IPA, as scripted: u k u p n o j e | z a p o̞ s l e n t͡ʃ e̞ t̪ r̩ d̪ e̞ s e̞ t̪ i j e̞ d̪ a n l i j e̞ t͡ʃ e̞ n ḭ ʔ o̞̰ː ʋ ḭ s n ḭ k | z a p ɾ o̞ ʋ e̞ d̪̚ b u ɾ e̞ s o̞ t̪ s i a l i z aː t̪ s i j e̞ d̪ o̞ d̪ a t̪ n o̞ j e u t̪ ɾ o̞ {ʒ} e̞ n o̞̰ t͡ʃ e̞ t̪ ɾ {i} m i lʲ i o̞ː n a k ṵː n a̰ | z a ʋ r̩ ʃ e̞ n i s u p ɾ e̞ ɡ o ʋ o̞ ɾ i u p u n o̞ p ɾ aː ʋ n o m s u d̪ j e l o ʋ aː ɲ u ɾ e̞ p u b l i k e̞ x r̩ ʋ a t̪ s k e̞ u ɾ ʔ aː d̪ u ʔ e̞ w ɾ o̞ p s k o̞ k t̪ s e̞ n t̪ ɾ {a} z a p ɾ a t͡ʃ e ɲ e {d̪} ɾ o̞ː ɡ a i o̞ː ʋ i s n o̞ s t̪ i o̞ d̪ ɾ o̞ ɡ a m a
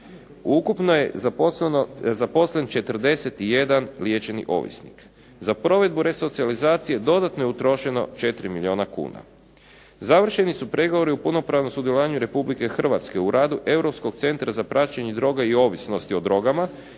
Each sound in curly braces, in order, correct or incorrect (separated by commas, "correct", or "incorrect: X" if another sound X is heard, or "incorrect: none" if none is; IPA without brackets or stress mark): incorrect: ʃ, correct, correct, correct